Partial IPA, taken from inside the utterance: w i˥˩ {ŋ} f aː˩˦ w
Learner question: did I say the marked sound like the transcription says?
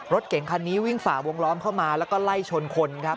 yes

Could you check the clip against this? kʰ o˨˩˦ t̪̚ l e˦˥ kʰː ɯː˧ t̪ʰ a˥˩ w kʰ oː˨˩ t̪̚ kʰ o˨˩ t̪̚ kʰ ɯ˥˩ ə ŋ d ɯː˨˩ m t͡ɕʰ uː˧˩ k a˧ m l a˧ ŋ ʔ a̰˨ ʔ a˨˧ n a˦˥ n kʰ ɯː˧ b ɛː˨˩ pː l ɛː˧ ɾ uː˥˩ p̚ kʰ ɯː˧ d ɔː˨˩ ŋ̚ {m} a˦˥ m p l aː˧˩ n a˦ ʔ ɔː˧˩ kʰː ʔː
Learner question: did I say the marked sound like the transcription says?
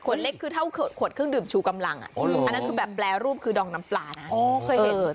no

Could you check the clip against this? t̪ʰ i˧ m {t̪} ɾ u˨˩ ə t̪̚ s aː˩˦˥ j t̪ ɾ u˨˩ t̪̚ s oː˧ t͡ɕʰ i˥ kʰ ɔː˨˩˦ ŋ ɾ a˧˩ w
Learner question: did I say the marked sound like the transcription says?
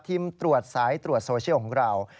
yes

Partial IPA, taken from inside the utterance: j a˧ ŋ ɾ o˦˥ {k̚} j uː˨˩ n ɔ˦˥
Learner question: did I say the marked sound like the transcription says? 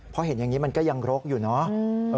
yes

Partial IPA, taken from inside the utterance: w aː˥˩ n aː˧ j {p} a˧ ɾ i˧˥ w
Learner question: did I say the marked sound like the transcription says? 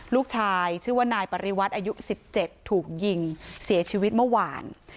yes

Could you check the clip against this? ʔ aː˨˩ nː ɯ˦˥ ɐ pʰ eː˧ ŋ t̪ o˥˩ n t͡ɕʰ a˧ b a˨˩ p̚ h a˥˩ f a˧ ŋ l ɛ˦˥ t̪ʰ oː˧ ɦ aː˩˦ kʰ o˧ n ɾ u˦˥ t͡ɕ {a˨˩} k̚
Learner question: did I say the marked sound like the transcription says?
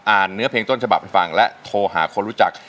yes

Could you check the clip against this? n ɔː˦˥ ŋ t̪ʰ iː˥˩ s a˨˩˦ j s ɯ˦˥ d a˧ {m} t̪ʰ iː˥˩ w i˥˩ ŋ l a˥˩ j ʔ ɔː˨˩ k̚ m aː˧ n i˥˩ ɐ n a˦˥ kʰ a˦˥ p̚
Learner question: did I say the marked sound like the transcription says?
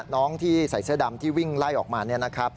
yes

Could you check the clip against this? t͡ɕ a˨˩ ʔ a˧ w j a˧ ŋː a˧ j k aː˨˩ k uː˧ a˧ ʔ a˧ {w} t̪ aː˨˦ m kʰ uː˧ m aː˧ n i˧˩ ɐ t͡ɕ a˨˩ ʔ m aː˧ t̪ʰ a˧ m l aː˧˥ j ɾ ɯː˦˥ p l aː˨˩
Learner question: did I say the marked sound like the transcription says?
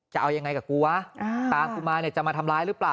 no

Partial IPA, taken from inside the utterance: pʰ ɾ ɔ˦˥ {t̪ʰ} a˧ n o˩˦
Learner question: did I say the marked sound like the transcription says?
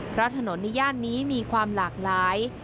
yes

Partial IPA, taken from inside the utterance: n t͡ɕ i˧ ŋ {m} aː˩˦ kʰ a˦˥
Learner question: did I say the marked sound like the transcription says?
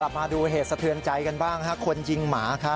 yes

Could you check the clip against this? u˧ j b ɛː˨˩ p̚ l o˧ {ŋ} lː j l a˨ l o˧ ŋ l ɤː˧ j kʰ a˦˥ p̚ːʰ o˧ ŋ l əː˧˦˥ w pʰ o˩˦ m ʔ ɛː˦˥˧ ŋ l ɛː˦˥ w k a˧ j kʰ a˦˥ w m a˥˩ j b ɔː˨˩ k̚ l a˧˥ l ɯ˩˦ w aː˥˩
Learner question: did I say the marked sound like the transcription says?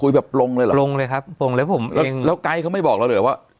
yes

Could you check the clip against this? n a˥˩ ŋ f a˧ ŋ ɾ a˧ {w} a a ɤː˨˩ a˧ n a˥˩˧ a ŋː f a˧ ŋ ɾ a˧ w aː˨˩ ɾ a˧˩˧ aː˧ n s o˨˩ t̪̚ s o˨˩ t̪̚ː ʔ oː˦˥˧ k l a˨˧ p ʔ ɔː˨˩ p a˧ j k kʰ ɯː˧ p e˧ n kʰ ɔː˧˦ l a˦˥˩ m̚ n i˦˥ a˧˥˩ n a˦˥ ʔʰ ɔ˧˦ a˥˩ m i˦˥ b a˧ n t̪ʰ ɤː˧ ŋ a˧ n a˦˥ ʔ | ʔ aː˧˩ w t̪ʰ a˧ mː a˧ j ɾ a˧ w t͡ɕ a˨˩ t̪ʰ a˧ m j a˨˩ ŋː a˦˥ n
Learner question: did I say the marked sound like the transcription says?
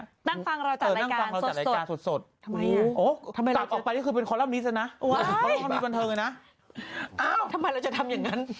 yes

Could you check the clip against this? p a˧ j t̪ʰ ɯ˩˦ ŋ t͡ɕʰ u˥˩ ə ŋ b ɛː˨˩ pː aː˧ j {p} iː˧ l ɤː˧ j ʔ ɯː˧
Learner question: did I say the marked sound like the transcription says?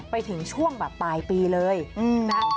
yes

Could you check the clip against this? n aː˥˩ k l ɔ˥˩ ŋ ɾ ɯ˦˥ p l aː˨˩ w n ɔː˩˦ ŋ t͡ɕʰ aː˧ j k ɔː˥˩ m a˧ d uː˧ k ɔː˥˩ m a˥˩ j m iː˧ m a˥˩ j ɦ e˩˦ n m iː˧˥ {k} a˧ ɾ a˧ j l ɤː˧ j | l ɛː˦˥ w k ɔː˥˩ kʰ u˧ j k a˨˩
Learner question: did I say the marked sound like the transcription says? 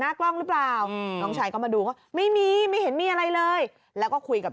no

